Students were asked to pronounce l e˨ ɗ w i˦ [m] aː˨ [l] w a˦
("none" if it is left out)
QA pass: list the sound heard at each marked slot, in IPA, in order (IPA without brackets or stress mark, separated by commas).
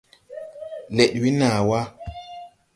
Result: n, none